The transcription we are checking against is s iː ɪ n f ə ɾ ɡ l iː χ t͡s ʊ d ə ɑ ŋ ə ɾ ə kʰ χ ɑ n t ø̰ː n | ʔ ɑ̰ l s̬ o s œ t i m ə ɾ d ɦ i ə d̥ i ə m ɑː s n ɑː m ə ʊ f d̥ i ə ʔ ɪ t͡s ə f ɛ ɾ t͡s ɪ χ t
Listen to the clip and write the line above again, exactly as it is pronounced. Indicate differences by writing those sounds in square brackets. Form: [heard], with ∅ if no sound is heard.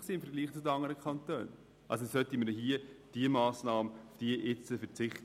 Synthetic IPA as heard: s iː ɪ [m] f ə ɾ ɡ l iː χ t͡s ʊ d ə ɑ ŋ ə ɾ ə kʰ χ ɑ n t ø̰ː n | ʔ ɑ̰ l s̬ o s œ t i m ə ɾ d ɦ i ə d̥ i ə m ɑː s n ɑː m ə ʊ f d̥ i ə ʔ ɪ t͡s ə f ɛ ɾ t͡s ɪ χ t